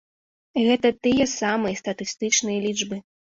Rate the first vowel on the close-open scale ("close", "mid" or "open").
mid